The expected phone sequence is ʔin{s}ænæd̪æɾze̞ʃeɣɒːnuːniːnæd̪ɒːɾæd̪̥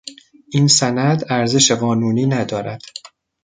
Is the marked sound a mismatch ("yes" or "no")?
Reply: no